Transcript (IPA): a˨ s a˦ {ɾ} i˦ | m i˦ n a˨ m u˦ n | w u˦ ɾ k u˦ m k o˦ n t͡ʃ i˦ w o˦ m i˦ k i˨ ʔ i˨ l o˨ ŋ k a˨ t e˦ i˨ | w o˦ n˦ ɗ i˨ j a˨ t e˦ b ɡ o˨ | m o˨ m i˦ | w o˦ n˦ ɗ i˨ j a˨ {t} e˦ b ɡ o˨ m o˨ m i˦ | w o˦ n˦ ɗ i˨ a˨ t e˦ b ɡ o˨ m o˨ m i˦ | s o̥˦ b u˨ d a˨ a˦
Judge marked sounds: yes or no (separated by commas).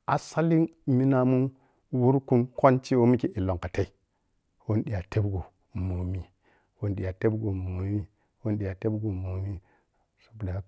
no, yes